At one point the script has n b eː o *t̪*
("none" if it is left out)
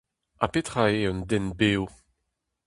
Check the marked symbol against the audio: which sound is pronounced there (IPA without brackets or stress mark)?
none